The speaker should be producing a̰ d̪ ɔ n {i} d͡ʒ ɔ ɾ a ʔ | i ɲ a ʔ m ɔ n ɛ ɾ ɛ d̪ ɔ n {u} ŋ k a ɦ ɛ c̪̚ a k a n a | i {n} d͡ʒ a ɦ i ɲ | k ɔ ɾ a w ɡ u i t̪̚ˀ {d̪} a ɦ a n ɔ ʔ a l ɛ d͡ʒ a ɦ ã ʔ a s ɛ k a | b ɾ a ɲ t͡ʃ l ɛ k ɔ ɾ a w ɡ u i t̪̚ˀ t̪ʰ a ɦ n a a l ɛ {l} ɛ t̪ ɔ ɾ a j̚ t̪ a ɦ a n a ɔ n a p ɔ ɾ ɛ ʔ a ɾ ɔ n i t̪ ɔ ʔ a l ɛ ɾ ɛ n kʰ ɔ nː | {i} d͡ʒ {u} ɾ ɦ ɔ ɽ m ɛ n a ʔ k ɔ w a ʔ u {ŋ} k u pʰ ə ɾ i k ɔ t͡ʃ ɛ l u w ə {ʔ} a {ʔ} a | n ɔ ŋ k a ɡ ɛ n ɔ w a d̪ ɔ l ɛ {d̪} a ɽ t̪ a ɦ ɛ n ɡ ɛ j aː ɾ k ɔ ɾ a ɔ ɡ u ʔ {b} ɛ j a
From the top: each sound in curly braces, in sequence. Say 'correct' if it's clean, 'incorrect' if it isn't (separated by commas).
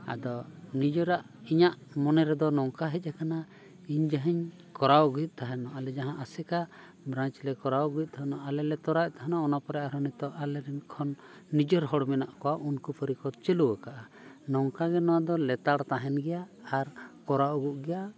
correct, incorrect, incorrect, incorrect, correct, correct, incorrect, incorrect, incorrect, correct, incorrect, incorrect